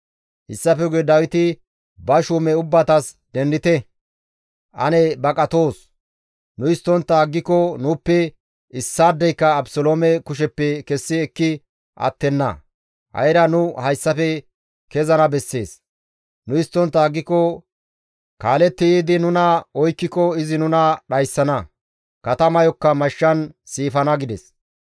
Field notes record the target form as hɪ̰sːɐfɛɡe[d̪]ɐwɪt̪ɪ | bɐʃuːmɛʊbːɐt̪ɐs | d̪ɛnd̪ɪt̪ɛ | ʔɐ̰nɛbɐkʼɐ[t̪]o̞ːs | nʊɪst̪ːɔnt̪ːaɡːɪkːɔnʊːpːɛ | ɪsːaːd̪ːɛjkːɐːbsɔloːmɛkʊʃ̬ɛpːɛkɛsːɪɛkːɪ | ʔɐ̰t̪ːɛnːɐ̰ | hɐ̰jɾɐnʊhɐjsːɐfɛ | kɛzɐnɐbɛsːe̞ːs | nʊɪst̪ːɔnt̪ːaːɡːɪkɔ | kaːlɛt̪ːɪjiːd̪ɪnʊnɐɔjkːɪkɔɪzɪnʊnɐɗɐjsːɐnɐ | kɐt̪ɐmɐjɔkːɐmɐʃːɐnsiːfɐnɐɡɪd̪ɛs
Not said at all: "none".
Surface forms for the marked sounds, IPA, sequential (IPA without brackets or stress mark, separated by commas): d̪, t̪